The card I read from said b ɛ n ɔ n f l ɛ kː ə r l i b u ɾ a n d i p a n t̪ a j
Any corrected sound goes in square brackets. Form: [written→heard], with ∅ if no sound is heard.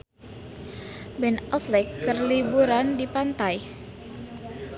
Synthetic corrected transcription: b ɛ n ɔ [n→∅] f l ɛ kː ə r l i b u ɾ a n d i p a n t̪ a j